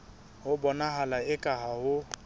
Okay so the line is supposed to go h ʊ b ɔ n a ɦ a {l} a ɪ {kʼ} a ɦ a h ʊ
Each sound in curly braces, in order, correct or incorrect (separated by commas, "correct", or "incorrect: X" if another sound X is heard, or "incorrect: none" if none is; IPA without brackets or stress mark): correct, correct